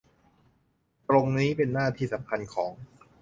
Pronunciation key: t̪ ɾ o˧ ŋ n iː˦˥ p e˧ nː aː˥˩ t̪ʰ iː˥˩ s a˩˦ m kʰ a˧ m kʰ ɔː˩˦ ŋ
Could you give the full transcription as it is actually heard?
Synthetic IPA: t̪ ɾ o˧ ŋ n iː˦˥ p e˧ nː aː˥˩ t̪ʰ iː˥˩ s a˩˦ m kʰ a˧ n kʰ ɔː˩˦ ŋ

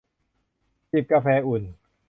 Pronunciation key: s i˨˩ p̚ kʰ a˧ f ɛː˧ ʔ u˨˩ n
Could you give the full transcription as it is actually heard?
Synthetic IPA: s i˨˩ p̚ k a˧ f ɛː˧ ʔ u˨˩ n

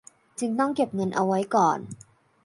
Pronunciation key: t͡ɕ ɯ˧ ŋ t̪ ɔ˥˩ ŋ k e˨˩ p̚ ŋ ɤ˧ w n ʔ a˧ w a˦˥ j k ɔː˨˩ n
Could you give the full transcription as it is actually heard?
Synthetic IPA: t͡ɕ ɯ˧ ŋ t̪ ɔ˥˩ ŋ k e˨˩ p̚ ŋ ɤ˧ n ʔ a˧ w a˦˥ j k ɔː˨˩ n

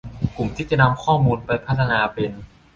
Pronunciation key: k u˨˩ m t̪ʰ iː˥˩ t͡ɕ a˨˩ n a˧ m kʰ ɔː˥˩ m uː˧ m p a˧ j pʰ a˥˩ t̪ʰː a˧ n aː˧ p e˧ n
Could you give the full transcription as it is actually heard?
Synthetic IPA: k u˨˩ m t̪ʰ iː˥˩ t͡ɕ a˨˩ n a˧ m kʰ ɔː˥˩ m uː˧ n p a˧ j pʰ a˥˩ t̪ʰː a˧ n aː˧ p e˧ n

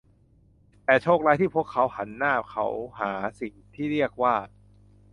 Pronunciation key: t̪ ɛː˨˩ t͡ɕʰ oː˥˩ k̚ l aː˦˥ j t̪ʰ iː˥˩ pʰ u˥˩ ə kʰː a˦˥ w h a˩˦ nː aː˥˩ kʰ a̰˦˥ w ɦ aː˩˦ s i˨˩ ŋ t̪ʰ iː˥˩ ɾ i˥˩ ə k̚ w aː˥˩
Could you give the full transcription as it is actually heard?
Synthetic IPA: t̪ ɛː˨˩ t͡ɕʰ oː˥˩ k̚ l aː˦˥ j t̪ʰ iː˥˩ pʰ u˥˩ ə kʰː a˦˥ w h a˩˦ nː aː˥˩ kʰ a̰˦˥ w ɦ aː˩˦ s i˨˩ ŋ t̪ʰ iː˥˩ ɾ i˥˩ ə k̚ w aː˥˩

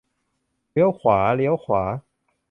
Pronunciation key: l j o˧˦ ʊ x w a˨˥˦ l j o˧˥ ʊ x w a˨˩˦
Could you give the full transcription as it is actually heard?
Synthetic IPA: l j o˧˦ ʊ x w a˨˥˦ l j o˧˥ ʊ x w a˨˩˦

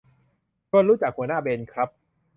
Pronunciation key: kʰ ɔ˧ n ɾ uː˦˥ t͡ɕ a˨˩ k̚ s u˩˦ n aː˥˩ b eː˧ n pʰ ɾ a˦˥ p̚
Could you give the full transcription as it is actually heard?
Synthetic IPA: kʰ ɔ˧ n ɾ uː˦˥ t͡ɕ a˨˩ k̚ h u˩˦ n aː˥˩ b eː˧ n kʰ ɾ a˦˥ p̚

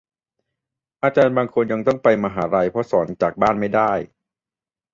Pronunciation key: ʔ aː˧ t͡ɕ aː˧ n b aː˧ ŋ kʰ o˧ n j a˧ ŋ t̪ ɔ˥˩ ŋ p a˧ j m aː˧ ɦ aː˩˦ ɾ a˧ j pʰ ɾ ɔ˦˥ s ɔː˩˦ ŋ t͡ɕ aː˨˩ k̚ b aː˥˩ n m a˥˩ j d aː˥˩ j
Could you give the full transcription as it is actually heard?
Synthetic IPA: ʔ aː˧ t͡ɕ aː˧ n b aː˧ ŋ kʰ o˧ n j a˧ ŋ t̪ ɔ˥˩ ŋ p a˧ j m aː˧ ɦ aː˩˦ ɾ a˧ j pʰ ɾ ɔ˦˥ s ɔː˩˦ n t͡ɕ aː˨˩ k̚ b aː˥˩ n m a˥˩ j d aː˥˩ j

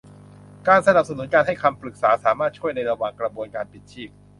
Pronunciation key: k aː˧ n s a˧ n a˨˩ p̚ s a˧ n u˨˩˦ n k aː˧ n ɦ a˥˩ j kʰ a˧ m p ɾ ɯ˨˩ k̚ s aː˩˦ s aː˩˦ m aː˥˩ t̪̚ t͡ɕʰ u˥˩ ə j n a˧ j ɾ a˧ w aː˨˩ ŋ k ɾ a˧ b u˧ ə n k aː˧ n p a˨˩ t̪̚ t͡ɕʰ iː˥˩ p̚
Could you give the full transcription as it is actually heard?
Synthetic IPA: k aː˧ n s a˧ n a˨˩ p̚ s a˧ n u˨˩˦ n k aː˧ n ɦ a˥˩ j kʰ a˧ m p ɾ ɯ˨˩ k̚ s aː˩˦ s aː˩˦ m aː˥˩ t̪̚ t͡ɕʰ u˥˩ ə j n a˧ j ɾ a˧ w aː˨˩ ŋ k ɾ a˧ b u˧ ə n k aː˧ n p i˨˩ t̪̚ t͡ɕʰ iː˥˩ p̚

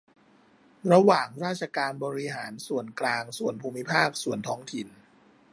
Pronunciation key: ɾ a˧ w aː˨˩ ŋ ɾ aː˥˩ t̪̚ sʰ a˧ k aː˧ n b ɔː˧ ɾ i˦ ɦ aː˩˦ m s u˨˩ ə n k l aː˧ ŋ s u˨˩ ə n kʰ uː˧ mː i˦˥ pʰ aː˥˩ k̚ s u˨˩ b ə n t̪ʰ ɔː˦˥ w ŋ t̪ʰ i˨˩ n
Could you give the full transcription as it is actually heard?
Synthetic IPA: ɾ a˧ w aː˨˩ ŋ ɾ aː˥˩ t̪̚ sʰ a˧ k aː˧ n b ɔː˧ ɾ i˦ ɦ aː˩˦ n s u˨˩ ə n k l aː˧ ŋ s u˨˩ ə n pʰ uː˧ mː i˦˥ pʰ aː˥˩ k̚ s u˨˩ ə n t̪ʰ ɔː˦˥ ŋ t̪ʰ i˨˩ n

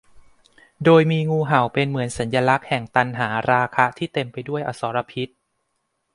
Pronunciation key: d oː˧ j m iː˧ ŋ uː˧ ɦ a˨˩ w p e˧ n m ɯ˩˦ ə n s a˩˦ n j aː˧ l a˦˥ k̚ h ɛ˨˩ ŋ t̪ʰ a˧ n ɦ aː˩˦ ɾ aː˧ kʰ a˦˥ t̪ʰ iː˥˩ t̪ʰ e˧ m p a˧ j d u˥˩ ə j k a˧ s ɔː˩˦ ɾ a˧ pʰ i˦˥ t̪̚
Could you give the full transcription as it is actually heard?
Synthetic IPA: d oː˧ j m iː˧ ŋ uː˧ ɦ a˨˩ w p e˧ n m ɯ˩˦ ə n s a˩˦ n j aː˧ l a˦˥ k̚ h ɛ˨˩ ŋ t̪ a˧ n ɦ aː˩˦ ɾ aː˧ kʰ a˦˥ t̪ʰ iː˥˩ t̪ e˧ m p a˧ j d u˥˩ ə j ʔ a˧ s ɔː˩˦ ɾ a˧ pʰ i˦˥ t̪̚

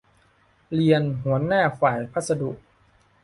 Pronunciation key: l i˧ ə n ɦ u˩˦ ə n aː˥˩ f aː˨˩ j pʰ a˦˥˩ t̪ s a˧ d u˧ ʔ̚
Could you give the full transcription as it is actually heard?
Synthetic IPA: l i˧ ə n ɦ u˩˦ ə n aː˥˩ f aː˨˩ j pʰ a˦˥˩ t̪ s a˧ d u˨˩ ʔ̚

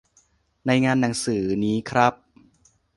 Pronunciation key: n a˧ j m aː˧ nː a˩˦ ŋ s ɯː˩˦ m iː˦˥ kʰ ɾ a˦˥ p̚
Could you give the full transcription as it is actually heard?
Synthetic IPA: n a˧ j ŋ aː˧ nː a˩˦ ŋ s ɯː˩˦ n iː˦˥ kʰ ɾ a˦˥ p̚

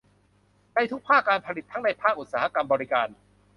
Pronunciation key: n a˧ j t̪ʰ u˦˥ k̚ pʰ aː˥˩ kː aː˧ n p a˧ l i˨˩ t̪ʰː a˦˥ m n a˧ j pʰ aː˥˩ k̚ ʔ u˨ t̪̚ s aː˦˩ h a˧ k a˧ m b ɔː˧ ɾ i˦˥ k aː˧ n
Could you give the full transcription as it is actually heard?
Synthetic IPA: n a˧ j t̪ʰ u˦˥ k̚ pʰ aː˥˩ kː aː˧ n pʰ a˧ l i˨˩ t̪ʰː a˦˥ ŋ n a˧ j pʰ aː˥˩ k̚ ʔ u˨ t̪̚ s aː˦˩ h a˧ k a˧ m b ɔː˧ ɾ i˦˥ k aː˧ n

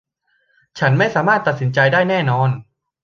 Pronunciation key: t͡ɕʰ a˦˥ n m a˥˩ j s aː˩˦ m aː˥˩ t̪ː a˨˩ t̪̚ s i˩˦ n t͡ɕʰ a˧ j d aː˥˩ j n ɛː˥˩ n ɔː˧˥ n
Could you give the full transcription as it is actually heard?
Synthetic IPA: t͡ɕʰ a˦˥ n m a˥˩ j s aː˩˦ m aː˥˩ t̪ː a˨˩ t̪̚ s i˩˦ n t͡ɕ a˧ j d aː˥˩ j n ɛː˥˩ n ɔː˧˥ n

